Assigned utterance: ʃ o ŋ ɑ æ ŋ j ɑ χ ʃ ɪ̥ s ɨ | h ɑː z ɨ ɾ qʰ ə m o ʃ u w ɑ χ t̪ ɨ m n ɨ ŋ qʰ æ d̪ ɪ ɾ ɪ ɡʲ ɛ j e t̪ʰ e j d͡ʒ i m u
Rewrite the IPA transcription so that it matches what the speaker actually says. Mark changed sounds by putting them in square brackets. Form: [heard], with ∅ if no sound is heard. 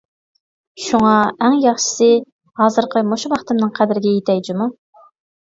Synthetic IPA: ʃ [u] ŋ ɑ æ ŋ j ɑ χ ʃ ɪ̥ s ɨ | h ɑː z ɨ ɾ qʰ ə m o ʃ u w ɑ χ t̪ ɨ m n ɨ ŋ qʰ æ d̪ ɪ ɾ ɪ ɡʲ ɛ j e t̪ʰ [ɛ] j d͡ʒ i m u

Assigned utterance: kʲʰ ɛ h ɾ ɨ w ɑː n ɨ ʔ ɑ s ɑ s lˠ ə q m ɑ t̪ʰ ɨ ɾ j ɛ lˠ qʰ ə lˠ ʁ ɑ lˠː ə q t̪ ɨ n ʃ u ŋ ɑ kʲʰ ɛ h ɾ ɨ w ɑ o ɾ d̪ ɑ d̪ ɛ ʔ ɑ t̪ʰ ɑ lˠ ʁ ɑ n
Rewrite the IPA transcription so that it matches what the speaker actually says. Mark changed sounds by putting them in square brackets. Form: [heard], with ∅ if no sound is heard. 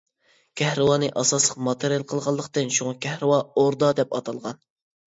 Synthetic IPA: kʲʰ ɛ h ɾ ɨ w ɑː n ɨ ʔ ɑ s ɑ s lˠ ə q m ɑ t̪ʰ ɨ ɾ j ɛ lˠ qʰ ə lˠ ʁ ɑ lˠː ə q t̪ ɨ n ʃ u ŋ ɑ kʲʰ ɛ h ɾ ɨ w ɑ o ɾ d̪ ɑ d̪ ɛ [p] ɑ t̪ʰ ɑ lˠ ʁ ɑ n

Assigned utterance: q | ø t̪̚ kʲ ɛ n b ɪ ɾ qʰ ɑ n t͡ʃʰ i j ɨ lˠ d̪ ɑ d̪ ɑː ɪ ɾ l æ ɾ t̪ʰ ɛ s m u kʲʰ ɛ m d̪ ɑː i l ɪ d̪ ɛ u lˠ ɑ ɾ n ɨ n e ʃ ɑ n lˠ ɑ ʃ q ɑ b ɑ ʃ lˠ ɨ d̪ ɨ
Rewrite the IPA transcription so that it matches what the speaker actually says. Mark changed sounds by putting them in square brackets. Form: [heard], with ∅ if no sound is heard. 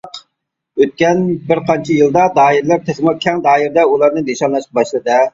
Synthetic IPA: q | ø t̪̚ kʲ ɛ n b ɪ ɾ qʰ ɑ n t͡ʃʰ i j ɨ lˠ d̪ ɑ d̪ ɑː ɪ ɾ l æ ɾ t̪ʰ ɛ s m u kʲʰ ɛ [ŋ] d̪ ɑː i [ɾ] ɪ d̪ ɛ u lˠ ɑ ɾ n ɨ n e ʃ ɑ n lˠ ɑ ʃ q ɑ b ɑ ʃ lˠ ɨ d̪ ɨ

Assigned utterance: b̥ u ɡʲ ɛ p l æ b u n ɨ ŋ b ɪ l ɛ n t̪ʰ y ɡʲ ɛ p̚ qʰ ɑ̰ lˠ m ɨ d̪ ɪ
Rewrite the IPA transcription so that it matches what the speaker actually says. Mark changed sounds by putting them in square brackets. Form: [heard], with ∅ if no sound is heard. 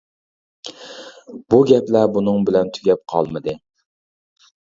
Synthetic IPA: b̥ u ɡʲ ɛ p l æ b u n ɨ ŋ b ɪ l ɛ n t̪ʰ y ɡʲ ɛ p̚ qʰ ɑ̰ lˠ m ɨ d̪ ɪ

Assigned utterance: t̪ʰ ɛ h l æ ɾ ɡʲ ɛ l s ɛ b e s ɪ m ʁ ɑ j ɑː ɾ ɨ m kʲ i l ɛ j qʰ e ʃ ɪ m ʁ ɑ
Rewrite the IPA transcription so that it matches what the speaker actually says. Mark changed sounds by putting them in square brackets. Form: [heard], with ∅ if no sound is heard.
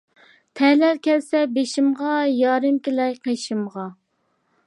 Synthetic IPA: t̪ʰ ɛ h l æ ɾ [kʲ] ɛ l s ɛ b e [ʃ] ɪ m ʁ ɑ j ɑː ɾ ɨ m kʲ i l ɛ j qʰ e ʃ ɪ m ʁ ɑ

